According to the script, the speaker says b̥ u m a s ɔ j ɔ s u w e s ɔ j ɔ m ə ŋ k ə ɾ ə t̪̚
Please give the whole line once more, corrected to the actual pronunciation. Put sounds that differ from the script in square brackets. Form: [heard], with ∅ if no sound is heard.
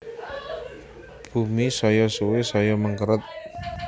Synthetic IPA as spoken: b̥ u m [i] s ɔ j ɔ s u w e s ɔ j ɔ m ə ŋ k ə ɾ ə t̪̚